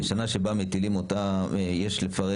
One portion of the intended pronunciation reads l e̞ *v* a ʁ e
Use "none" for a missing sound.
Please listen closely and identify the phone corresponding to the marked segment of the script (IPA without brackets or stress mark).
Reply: f